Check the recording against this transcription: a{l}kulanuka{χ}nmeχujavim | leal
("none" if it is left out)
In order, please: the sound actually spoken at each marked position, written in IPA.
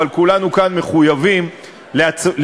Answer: l, none

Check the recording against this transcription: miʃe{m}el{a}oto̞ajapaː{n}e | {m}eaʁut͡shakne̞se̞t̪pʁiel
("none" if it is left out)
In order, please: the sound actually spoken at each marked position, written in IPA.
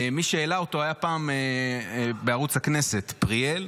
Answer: none, a, m, b

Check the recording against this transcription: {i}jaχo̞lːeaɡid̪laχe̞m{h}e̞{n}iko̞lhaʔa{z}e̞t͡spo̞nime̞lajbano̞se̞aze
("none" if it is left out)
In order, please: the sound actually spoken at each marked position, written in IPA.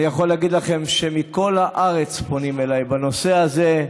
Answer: i, ʃ, m, ʁ

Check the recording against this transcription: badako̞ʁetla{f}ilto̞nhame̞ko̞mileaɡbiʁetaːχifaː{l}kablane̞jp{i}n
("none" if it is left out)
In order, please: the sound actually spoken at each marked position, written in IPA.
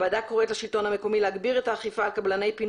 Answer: ʃ, l, i

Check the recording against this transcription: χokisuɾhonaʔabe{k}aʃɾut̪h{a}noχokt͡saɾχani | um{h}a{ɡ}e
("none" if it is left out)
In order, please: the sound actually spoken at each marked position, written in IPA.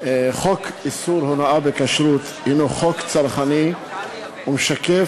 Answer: k, i, ʃ, k

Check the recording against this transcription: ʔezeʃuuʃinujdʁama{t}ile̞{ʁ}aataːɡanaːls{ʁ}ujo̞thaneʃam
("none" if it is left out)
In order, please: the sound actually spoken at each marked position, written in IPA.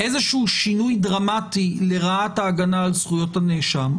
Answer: t, ʁ, χ

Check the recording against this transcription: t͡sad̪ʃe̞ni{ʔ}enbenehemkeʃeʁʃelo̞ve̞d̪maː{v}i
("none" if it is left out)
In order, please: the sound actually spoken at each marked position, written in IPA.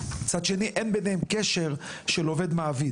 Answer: ʔ, v

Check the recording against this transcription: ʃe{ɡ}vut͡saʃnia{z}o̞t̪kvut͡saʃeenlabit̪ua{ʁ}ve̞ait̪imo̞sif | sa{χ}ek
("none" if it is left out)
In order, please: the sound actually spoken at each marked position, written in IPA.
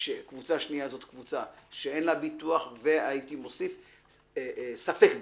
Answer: k, z, χ, f

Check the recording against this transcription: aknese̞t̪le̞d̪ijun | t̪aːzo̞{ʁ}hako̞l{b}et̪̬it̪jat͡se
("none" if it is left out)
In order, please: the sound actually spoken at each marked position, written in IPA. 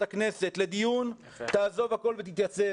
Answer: v, v

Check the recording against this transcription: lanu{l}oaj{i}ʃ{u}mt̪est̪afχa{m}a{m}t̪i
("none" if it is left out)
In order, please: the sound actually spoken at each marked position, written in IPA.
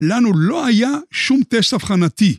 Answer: l, a, u, n, none

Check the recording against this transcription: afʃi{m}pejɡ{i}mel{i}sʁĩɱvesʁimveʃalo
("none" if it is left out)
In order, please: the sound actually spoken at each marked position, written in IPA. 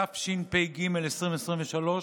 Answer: n, i, e

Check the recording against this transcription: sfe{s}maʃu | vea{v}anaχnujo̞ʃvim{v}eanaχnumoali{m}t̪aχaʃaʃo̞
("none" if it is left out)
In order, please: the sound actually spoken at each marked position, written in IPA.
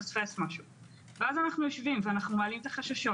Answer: s, z, v, m

